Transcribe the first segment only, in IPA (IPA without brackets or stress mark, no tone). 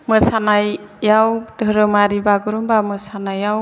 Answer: m